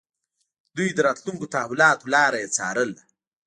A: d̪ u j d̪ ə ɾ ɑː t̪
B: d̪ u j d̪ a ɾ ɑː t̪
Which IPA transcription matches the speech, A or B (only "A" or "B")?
A